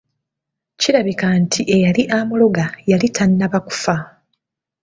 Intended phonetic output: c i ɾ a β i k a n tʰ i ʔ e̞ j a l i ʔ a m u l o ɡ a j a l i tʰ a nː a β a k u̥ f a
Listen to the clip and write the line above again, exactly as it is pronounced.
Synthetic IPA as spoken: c i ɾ a β i k a n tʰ i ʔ e̞ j a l i ʔ a m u l o ɡ a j a l i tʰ a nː a β a k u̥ f a